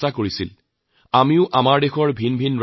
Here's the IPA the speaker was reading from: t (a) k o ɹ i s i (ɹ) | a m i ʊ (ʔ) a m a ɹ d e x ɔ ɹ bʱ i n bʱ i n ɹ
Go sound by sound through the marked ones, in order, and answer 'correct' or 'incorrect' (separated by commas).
correct, incorrect, correct